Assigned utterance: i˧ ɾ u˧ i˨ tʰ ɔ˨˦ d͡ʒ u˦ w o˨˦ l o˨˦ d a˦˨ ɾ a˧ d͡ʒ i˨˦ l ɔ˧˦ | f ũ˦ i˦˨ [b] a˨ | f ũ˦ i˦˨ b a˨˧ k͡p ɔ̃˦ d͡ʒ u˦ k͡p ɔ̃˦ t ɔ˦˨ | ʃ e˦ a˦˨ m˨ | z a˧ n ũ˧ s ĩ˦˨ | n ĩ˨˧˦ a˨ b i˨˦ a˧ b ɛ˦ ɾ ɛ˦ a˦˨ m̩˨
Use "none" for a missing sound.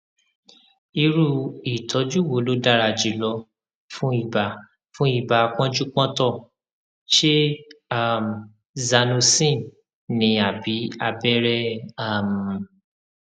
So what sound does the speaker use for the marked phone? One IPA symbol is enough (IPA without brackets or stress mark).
b